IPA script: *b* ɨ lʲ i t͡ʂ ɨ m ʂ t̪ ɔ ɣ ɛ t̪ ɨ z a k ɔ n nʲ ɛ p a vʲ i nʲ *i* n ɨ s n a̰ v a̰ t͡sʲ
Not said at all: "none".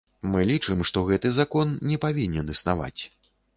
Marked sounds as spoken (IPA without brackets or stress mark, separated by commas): m, ɛ